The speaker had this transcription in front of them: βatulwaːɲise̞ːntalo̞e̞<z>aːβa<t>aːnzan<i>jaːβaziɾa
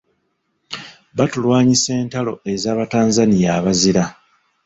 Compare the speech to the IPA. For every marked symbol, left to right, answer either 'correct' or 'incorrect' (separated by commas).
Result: correct, correct, correct